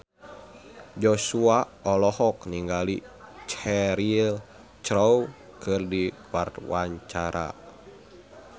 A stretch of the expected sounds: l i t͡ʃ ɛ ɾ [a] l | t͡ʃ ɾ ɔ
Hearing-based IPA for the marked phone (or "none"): i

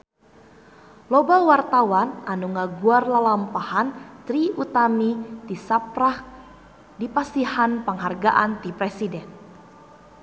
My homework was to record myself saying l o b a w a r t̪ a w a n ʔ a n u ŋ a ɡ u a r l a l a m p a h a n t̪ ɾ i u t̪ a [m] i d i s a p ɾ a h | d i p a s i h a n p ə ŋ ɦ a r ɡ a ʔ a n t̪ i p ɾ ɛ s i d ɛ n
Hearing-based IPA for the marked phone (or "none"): m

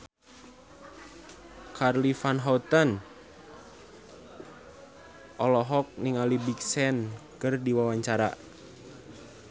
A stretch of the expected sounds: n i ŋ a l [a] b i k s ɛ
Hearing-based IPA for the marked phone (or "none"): i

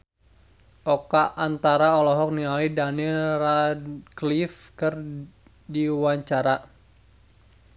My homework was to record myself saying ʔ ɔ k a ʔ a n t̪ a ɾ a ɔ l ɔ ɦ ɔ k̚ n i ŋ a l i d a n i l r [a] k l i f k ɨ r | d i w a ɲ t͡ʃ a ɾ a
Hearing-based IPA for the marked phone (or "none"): a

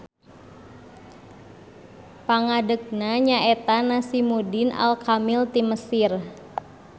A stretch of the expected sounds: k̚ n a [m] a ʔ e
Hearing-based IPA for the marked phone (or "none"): ɲ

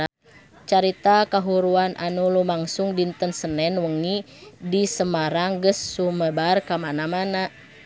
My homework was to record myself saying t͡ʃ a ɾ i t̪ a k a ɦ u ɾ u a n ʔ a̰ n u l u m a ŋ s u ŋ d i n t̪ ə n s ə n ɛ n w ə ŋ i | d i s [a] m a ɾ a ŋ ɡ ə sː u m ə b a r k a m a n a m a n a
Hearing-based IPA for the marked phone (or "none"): ə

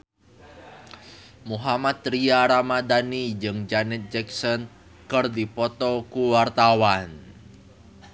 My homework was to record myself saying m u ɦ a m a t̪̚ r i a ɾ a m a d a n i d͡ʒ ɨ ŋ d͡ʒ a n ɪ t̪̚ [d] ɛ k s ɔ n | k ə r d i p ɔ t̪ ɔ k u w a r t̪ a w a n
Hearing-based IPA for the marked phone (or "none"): d͡ʒ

